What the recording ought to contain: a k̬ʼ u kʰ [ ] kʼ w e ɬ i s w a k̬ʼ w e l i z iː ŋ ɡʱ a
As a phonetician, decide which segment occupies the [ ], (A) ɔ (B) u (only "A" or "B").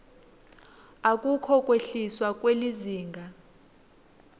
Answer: A